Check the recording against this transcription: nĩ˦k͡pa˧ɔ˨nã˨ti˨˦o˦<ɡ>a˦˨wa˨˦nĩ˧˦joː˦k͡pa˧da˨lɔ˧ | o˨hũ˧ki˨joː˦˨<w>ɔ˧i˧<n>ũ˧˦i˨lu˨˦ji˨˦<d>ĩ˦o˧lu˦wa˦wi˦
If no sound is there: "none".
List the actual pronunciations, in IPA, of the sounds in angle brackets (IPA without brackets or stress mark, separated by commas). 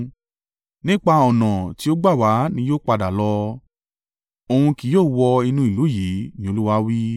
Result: ɡ͡b, w, n, n